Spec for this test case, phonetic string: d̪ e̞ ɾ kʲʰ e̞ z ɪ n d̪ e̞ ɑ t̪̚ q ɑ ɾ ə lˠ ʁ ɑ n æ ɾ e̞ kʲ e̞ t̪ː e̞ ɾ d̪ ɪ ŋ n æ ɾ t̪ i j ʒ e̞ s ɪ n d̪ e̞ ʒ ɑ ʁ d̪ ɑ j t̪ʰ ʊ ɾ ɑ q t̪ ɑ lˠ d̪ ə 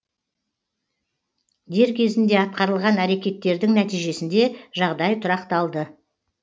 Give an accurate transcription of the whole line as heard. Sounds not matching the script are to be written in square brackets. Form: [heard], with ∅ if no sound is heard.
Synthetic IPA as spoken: d̪ e̞ ɾ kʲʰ e̞ z ɪ n d̪ e̞ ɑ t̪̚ q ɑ ɾ ə lˠ ʁ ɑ n æ ɾ e̞ kʲ e̞ t̪ː e̞ ɾ d̪ ɪ ŋ n æ [∅] t̪ i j ʒ e̞ s ɪ n d̪ e̞ ʒ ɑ ʁ d̪ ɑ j t̪ʰ ʊ ɾ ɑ q t̪ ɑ lˠ d̪ ə